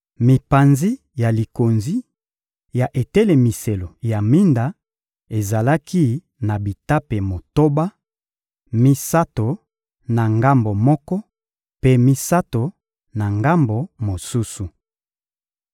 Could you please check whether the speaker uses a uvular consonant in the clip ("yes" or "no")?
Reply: no